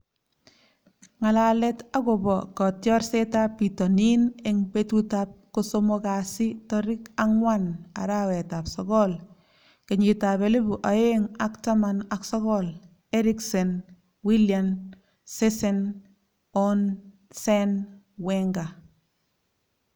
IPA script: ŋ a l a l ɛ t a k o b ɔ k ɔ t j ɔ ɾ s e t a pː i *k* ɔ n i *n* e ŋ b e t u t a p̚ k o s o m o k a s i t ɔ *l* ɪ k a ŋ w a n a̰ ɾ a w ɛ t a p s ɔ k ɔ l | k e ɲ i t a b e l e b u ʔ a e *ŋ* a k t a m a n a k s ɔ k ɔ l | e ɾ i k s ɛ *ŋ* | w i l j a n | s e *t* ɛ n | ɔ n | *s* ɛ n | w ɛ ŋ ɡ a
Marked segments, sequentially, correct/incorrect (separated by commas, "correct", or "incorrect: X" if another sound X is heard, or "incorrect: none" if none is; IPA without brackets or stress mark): incorrect: t, correct, incorrect: ɾ, correct, incorrect: n, incorrect: s, correct